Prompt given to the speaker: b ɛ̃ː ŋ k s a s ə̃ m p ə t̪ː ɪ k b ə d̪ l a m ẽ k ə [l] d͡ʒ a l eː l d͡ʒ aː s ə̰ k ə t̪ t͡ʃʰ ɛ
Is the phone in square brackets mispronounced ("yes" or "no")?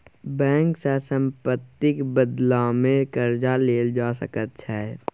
yes